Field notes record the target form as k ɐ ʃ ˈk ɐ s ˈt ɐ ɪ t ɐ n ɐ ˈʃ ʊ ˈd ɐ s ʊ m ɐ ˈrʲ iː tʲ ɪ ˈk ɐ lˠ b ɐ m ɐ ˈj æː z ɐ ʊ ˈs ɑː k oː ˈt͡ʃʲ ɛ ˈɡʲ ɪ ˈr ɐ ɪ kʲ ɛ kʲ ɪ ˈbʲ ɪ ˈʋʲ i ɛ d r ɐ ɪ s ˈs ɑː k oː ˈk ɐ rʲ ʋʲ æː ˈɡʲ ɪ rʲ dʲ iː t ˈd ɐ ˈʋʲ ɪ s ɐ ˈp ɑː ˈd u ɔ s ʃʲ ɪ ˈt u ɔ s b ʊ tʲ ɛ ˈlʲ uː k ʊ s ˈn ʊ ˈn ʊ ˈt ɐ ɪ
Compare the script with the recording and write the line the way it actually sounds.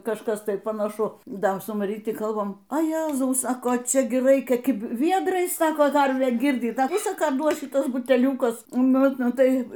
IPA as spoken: k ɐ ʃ ˈk ɐ s ˈt ɐ ɪ p ɐ n ɐ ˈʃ ʊ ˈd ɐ s ʊ m ɐ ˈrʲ iː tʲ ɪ ˈk ɐ lˠ b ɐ m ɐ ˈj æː z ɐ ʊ ˈs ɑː k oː ˈt͡ʃʲ ɛ ˈɡʲ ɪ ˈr ɐ ɪ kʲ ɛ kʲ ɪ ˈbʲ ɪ ˈʋʲ i ɛ d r ɐ ɪ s ˈs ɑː k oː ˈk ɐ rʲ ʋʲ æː ˈɡʲ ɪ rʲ dʲ iː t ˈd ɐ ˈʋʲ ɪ s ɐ ˈk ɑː ˈd u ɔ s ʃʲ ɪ ˈt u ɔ s b ʊ tʲ ɛ ˈlʲ uː k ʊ s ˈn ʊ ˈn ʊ ˈt ɐ ɪ

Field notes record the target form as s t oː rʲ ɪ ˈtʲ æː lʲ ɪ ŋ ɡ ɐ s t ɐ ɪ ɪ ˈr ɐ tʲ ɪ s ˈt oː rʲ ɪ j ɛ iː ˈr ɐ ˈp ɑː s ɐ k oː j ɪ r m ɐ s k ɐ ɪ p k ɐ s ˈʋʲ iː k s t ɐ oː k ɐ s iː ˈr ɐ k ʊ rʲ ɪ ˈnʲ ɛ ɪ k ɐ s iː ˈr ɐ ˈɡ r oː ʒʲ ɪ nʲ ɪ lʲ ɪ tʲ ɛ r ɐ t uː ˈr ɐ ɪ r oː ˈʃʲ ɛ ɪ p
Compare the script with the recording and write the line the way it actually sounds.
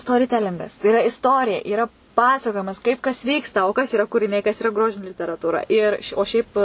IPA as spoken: s t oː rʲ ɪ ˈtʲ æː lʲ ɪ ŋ ɡ ɐ s t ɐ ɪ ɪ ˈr ɐ ɪ s ˈt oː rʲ ɪ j ɛ iː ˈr ɐ ˈp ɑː s ɐ k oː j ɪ m ɐ s k ɐ ɪ p k ɐ s ˈʋʲ iː k s t ɐ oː k ɐ s iː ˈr ɐ k ʊ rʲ ɪ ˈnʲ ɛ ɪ k ɐ s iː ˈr ɐ ˈɡ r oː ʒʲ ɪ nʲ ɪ lʲ ɪ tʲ ɛ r ɐ t uː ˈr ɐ ɪ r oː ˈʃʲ ɛ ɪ p

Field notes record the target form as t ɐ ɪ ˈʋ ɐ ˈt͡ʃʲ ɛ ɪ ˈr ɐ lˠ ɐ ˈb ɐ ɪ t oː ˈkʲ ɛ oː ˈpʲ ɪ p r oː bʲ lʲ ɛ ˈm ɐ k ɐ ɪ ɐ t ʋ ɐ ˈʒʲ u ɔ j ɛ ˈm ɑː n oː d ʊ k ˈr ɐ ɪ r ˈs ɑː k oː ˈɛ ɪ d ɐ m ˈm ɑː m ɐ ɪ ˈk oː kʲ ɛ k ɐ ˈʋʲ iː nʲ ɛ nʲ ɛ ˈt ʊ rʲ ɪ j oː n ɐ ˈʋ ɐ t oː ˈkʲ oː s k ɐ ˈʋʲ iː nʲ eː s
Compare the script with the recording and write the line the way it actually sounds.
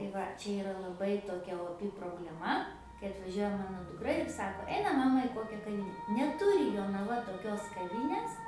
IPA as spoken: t ɐ ɪ ˈʋ ɐ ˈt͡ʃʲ ɛ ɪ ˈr ɐ lˠ ɐ ˈb ɐ ɪ t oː ˈkʲ ɛ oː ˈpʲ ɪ p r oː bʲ lʲ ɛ ˈm ɐ k ɐ ɪ ɐ t ʋ ɐ ˈʒʲ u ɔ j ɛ ˈm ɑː n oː d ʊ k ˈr ɐ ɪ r ˈs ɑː k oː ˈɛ ɪ n ɐ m ˈm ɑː m ɐ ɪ ˈk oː kʲ ɛ k ɐ ˈʋʲ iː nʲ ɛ nʲ ɛ ˈt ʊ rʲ ɪ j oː n ɐ ˈʋ ɐ t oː ˈkʲ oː s k ɐ ˈʋʲ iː nʲ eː s

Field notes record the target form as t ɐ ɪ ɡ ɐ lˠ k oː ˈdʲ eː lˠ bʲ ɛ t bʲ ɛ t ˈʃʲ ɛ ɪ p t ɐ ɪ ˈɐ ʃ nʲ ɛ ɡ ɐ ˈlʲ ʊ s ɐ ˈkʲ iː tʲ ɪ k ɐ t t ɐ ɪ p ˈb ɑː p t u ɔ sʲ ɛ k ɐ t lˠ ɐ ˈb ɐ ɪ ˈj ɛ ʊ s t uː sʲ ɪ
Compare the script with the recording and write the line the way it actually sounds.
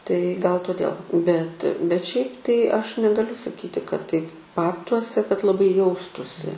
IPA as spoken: t ɐ ɪ ɡ ɐ lˠ t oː ˈdʲ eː lˠ bʲ ɛ t bʲ ɛ t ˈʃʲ ɛ ɪ p t ɐ ɪ ˈɐ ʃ nʲ ɛ ɡ ɐ ˈlʲ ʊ s ɐ ˈkʲ iː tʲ ɪ k ɐ t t ɐ ɪ p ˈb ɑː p t u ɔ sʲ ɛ k ɐ t lˠ ɐ ˈb ɐ ɪ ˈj ɛ ʊ s t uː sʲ ɪ

